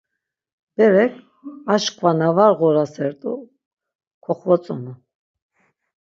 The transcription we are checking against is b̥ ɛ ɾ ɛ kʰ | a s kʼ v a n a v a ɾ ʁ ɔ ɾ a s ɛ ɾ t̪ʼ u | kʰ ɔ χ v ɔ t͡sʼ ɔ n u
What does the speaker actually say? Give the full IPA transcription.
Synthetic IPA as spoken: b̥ ɛ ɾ ɛ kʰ | a ʃ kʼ v a n a v a ɾ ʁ ɔ ɾ a s ɛ ɾ t̪ʼ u | kʰ ɔ χ v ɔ t͡sʼ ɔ n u